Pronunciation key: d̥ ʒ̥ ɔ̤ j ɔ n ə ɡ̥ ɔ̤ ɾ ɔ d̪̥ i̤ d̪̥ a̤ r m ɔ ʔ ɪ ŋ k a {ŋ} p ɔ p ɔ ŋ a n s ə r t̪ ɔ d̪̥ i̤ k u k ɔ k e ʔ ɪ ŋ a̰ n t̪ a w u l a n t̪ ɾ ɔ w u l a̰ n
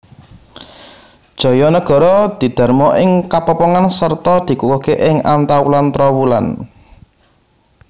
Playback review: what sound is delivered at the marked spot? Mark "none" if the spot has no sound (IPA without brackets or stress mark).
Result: none